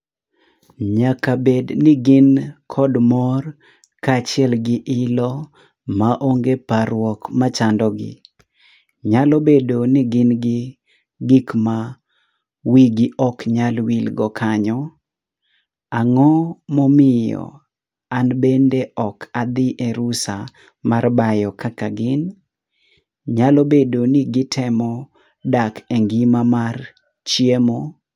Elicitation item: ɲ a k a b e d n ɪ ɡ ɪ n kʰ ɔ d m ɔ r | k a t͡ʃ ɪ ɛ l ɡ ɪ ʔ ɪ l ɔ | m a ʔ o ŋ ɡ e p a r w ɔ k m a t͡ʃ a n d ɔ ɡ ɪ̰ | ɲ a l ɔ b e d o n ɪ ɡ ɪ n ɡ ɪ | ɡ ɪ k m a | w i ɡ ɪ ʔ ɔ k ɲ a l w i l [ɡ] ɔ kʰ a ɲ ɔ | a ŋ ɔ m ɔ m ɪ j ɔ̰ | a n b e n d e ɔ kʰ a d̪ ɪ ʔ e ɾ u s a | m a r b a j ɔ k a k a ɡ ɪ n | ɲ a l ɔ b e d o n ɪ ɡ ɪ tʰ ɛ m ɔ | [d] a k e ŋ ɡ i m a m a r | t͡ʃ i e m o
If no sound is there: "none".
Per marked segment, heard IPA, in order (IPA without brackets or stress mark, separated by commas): ɡ, d